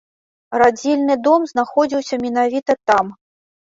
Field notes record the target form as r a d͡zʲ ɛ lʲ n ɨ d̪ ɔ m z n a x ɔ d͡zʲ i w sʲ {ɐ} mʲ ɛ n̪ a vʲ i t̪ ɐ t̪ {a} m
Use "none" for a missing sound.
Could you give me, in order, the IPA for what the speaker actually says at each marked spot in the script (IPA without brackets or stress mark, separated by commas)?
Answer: ɐ, a